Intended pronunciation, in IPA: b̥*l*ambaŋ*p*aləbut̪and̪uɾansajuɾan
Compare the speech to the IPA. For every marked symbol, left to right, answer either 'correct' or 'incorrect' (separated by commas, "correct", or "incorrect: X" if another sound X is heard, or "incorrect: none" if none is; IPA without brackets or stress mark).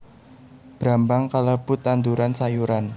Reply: incorrect: ɾ, incorrect: k